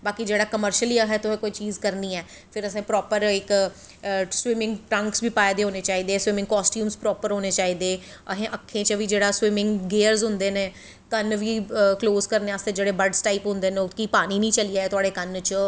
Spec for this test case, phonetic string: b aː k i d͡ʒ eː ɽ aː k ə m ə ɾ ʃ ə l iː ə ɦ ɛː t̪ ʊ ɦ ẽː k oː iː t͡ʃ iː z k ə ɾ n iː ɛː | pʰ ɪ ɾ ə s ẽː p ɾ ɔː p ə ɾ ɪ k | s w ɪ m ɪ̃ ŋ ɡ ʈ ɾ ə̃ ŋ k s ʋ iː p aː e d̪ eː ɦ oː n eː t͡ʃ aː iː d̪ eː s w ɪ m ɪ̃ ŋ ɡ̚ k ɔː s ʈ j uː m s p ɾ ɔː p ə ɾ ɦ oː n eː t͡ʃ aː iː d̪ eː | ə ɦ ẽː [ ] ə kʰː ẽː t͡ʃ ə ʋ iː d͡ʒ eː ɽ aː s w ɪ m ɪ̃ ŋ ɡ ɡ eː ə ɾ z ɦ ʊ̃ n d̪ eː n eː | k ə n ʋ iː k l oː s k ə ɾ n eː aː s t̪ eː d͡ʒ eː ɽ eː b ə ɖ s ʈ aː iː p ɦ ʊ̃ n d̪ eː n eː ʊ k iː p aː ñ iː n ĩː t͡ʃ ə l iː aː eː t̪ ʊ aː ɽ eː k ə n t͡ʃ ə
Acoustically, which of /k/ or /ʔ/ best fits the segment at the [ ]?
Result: ʔ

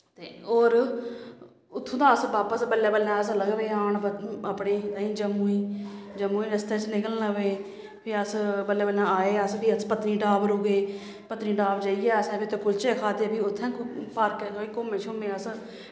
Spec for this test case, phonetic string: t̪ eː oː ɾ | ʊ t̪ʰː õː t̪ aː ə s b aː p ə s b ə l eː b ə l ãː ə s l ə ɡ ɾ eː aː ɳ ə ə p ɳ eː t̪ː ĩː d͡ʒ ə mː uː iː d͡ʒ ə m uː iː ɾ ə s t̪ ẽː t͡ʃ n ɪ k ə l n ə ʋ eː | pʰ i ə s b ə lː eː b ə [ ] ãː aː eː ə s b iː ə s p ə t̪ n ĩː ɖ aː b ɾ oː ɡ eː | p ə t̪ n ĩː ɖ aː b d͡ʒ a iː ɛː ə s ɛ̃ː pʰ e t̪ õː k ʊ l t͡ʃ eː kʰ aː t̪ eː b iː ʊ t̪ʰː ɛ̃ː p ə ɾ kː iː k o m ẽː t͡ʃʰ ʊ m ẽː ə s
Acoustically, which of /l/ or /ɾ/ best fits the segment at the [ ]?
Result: l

